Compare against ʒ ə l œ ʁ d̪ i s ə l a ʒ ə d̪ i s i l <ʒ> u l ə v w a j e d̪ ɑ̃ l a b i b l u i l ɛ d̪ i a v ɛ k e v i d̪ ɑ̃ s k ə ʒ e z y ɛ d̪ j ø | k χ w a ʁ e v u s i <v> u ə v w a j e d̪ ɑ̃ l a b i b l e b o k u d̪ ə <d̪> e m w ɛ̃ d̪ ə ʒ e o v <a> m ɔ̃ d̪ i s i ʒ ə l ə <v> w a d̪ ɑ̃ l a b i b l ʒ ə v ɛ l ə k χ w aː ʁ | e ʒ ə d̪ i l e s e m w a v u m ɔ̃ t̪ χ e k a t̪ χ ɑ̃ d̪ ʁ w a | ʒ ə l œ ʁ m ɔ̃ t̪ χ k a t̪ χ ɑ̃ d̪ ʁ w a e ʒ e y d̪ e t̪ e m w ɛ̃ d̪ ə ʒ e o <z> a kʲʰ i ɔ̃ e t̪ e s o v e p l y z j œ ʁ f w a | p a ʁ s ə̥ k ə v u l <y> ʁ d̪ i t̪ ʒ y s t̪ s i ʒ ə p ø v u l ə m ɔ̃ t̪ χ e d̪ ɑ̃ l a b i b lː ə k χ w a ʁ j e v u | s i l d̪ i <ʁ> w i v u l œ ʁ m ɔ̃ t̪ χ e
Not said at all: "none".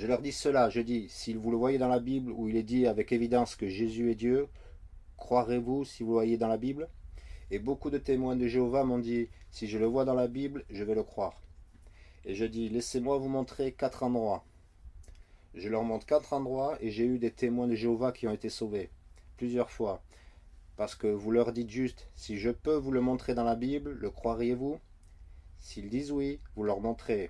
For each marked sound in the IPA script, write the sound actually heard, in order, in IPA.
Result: v, v, t̪, a, v, v, œ, z

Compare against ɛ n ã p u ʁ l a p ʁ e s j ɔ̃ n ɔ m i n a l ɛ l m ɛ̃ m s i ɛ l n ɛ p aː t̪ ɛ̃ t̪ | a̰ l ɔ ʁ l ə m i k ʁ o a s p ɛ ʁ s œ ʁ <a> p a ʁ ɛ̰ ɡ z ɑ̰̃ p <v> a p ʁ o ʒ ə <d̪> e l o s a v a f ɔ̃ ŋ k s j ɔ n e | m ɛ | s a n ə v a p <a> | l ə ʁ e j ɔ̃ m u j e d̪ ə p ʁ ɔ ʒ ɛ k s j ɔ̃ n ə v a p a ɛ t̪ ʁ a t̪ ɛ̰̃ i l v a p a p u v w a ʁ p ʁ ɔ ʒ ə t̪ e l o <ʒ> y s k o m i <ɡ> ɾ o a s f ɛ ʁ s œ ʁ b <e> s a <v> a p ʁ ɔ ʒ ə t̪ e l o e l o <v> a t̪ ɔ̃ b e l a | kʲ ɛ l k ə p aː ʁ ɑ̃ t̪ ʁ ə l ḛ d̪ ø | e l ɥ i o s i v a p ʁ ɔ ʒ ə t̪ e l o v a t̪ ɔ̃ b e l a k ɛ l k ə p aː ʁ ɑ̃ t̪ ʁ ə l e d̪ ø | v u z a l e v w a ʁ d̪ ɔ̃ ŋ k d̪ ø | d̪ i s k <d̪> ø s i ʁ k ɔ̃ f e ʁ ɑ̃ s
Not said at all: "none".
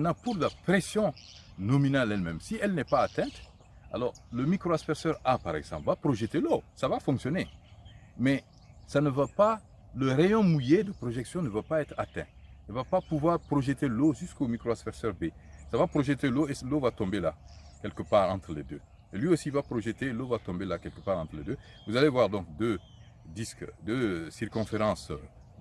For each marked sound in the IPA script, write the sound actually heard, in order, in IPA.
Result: a, v, t̪, a, ʒ, k, e, v, v, d̪

